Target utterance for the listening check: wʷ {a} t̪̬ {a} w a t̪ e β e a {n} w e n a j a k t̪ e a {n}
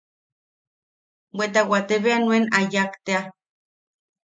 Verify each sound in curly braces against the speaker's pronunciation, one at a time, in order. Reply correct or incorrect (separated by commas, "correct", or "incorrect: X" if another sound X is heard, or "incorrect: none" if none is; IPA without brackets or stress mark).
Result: incorrect: e, correct, correct, incorrect: none